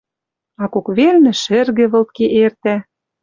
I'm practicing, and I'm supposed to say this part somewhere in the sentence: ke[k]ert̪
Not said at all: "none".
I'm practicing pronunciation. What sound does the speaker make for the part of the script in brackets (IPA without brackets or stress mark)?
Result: ʔ